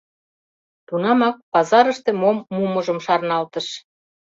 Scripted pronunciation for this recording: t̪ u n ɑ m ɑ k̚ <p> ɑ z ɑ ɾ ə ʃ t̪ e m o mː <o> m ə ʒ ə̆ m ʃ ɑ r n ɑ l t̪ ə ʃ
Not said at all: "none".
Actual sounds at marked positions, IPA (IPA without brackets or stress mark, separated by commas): p, u